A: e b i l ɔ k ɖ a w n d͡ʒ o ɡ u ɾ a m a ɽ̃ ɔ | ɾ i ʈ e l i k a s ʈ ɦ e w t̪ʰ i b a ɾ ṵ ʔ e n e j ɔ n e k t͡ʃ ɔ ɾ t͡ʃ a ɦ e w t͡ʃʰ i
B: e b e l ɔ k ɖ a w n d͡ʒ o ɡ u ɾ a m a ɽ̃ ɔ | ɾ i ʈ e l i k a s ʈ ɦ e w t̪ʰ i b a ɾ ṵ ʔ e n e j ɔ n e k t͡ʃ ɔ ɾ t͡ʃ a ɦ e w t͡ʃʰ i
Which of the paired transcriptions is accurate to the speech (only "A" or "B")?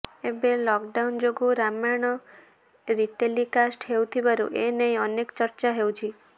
B